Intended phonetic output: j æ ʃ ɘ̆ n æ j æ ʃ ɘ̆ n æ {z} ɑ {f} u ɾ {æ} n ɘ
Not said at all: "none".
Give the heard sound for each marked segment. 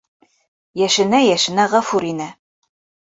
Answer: ʁ, f, i

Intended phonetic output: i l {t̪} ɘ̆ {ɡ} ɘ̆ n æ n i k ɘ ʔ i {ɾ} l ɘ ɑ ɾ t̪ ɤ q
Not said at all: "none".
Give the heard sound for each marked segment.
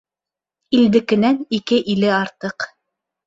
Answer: d̪, k, none

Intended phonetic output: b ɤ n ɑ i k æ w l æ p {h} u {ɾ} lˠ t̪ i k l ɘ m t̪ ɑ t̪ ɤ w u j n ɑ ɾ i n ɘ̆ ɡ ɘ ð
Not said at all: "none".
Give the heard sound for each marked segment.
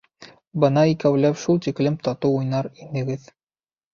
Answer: ʃ, none

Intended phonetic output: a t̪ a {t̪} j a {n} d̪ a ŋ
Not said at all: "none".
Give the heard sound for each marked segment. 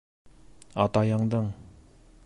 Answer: none, ŋ

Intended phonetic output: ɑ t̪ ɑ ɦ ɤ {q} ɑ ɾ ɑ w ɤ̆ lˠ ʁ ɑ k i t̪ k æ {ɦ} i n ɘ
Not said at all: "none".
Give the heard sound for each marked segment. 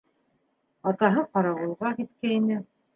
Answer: q, none

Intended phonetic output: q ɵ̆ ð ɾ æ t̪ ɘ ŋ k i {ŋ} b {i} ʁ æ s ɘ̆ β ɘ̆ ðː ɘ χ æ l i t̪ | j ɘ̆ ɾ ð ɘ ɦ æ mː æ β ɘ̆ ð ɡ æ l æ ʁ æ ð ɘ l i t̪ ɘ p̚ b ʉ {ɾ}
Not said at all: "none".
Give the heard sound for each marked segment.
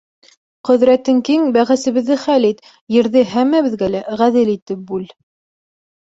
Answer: ŋ, æ, l

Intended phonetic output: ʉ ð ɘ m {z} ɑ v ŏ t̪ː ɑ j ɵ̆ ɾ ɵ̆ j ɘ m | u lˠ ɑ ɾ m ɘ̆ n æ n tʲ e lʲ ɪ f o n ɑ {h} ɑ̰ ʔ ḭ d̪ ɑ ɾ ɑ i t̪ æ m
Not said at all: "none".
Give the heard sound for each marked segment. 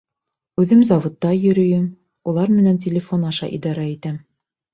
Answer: z, ʃ

